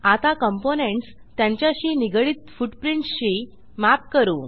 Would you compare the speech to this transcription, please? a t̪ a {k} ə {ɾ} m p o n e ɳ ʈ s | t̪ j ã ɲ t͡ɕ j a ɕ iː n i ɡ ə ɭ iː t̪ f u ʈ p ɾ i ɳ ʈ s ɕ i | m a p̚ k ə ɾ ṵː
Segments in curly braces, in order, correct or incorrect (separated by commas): correct, incorrect